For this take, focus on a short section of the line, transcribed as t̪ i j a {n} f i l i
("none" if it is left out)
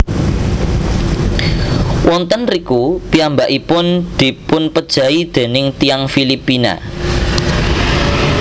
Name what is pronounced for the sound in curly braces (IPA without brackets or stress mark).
ŋ